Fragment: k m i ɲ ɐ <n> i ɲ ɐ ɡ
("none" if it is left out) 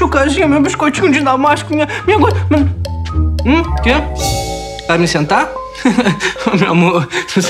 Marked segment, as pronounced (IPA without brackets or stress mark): m